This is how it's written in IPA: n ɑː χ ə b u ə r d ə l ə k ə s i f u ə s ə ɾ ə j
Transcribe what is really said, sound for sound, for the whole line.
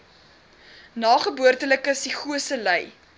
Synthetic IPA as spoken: n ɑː χ ə b u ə r t ə l ə k ə s i χ u ə s ə l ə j